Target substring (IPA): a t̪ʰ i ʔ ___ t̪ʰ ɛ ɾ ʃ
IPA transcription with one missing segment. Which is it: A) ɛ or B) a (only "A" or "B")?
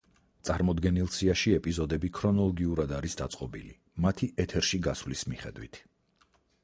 A